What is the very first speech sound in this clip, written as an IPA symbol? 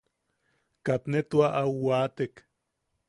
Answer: k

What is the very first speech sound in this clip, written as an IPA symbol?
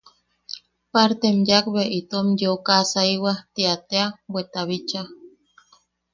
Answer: p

